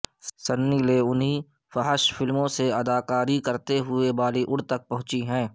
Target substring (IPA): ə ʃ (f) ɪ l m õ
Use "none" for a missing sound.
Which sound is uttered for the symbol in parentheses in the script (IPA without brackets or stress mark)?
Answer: f